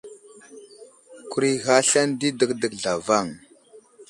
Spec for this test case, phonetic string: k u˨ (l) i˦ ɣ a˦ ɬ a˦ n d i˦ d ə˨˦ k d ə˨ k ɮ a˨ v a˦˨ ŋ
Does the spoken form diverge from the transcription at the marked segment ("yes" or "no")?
yes